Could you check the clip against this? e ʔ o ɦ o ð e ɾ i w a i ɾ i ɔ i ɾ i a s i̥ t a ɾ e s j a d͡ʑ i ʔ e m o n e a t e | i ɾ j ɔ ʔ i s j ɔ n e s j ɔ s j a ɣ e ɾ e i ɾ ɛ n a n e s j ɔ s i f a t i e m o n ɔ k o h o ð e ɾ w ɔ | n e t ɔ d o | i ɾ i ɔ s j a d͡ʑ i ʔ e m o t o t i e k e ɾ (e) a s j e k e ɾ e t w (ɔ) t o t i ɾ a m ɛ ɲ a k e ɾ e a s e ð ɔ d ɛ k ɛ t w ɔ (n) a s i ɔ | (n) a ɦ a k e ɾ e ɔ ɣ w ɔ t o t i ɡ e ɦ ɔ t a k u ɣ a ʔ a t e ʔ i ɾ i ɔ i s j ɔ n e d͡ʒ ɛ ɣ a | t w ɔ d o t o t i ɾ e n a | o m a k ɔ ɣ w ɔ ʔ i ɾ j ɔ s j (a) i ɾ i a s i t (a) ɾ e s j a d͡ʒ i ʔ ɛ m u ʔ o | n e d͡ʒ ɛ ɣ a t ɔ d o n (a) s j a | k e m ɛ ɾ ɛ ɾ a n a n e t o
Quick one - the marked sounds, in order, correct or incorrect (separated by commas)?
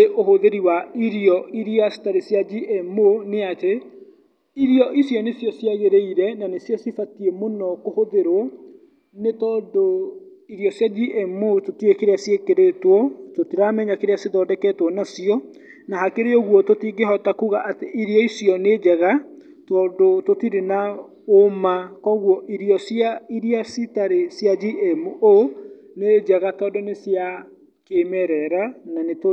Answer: correct, correct, correct, correct, correct, correct, incorrect